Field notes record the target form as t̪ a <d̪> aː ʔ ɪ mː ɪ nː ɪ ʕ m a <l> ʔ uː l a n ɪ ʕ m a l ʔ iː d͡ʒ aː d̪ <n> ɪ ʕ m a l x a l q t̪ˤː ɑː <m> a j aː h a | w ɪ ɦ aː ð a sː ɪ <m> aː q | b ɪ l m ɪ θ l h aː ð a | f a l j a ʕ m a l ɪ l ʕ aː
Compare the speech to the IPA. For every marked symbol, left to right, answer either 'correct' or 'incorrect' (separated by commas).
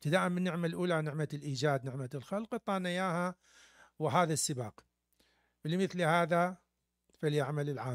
correct, correct, correct, incorrect, incorrect